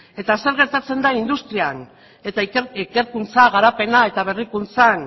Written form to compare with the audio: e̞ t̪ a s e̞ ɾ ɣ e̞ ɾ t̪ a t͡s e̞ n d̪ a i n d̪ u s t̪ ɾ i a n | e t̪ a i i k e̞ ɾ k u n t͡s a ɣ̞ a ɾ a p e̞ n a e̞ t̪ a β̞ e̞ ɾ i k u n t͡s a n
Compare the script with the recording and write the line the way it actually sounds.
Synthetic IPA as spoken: e̞ t̪ a s e̞ ɾ ɣ e̞ ɾ t̪ a t͡s e̞ n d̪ a i n d̪ u s t̪ ɾ i a n | e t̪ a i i k e̞ ɾ k u n t͡s a ɣ̞ a ɾ a p e̞ n a e̞ t̪ a β̞ e̞ r i k u n t͡s a n